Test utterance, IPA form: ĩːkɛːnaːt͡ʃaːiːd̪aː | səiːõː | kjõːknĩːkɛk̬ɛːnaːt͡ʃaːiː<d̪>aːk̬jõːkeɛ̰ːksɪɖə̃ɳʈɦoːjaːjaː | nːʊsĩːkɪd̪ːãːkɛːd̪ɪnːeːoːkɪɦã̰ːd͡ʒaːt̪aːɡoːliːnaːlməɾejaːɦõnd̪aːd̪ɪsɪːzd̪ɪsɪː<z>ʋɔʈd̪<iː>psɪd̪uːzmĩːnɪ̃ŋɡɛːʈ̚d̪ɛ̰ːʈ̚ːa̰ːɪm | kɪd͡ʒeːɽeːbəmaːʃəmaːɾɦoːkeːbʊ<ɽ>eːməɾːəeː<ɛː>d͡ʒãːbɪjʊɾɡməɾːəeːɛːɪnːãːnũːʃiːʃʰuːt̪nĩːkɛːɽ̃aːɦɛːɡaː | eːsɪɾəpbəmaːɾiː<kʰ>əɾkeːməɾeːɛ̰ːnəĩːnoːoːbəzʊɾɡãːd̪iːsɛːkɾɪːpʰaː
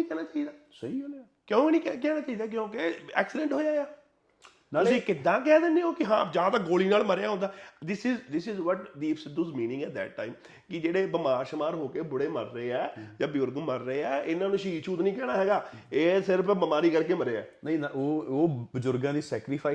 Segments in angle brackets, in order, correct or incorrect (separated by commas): correct, correct, correct, correct, correct, incorrect